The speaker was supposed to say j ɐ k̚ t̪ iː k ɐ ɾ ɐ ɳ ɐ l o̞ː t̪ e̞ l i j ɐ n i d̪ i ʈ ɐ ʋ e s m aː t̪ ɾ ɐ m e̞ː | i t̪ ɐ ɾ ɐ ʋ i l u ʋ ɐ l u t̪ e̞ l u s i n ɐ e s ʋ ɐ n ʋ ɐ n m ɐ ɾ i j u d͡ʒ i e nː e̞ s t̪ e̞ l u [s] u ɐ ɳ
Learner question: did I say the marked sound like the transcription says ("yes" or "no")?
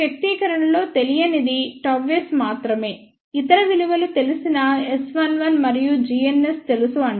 yes